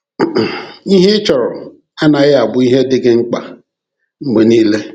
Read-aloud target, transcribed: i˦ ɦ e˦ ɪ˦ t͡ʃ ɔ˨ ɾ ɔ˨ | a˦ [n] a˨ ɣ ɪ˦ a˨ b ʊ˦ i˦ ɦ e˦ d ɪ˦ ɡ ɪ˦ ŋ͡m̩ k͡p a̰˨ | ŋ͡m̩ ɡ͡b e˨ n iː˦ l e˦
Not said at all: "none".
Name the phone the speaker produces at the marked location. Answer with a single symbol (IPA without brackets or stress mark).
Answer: n